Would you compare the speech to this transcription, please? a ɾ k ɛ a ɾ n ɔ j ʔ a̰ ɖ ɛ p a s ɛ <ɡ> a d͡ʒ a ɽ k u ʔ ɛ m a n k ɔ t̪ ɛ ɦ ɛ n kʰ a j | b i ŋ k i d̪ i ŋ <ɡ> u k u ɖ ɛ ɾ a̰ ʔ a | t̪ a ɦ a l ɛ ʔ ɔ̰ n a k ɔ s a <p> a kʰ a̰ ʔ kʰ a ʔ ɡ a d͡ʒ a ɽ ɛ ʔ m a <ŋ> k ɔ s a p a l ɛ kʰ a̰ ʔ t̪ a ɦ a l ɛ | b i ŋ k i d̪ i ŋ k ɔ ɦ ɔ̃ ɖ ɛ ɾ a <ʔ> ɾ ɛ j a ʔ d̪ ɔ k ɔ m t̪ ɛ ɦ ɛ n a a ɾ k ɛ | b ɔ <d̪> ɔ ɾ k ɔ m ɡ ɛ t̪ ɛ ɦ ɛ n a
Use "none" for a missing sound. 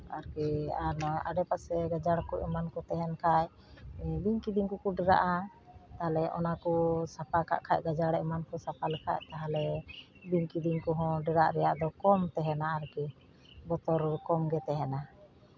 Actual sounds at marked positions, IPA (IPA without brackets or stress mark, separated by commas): ɡ, k, p, n, ʔ, t̪